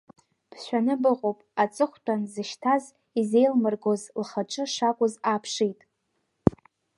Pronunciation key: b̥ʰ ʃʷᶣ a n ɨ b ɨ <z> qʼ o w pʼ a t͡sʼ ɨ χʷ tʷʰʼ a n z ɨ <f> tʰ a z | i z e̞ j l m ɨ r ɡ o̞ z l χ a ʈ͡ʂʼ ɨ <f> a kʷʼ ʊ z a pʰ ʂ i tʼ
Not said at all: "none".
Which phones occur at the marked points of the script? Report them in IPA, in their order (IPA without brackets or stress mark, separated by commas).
none, ʃ, ʂ